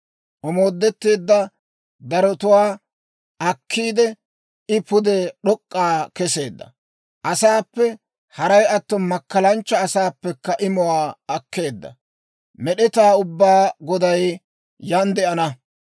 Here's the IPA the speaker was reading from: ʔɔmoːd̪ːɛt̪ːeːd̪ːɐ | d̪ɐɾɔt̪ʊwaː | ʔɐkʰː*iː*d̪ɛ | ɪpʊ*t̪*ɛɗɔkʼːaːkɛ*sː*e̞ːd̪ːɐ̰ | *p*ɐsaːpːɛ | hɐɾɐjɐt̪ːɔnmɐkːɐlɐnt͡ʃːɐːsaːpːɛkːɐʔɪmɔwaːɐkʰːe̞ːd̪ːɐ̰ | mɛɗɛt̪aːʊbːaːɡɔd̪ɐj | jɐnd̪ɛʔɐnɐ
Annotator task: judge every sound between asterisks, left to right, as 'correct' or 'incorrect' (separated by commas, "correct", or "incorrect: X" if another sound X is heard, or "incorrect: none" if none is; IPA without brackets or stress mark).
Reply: correct, incorrect: d̪, incorrect: s, incorrect: ʔ